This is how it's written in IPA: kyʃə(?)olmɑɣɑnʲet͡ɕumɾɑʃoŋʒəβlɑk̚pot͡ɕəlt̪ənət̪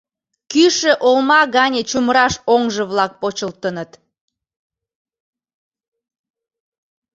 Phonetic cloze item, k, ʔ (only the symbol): ʔ